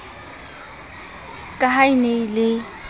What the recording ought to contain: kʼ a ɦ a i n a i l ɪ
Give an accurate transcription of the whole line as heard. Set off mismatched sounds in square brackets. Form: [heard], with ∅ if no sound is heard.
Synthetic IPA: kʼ a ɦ a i n [e] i l ɪ